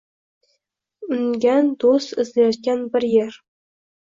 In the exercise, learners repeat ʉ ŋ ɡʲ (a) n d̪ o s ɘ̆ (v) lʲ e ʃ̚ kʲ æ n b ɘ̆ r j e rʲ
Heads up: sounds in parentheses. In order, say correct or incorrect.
incorrect: æ, incorrect: z

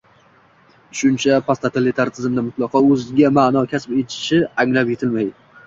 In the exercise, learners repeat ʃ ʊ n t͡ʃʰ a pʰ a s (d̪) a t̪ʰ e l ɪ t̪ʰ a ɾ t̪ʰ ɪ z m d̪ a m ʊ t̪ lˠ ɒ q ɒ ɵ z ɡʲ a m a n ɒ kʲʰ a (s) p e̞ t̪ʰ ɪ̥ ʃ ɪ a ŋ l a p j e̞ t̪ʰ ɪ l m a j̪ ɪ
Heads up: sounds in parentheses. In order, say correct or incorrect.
incorrect: t̪, correct

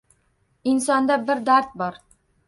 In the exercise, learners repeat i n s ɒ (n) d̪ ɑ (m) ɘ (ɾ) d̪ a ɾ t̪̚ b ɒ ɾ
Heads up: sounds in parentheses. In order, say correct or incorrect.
correct, incorrect: b, correct

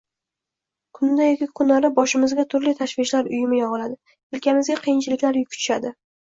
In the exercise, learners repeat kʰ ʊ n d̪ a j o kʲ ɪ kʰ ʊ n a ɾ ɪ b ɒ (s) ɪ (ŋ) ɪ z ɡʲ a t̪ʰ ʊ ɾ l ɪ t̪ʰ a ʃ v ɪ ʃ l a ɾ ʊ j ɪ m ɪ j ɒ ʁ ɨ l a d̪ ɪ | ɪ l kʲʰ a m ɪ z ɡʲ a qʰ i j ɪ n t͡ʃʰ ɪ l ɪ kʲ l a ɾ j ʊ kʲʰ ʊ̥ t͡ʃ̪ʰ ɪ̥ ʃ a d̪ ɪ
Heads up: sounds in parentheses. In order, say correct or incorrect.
incorrect: ʃ, incorrect: m

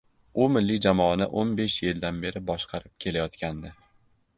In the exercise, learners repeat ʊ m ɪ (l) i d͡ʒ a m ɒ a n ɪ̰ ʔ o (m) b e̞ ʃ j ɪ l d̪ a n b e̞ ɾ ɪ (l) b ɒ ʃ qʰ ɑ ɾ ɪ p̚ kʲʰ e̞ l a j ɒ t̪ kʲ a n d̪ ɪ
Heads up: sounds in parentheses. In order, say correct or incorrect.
incorrect: lː, incorrect: n, incorrect: none

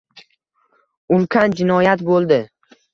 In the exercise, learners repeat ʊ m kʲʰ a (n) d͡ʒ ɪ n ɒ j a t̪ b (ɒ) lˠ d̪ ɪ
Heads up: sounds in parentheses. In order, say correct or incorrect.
correct, incorrect: o

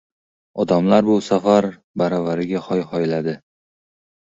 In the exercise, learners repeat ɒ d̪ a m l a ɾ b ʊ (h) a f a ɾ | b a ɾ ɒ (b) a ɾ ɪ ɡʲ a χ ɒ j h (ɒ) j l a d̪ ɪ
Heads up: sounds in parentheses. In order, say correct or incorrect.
incorrect: s, incorrect: v, correct

